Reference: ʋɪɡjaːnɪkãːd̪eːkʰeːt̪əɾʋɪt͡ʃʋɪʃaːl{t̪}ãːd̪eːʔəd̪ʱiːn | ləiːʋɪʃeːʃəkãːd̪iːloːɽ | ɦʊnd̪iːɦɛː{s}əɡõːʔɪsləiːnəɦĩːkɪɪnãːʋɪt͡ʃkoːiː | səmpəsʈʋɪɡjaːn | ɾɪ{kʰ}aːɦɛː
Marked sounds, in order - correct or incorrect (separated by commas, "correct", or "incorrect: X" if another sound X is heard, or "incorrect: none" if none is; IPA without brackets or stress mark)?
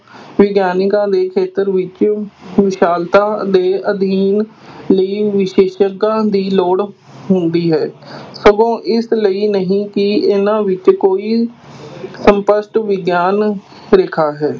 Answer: correct, correct, correct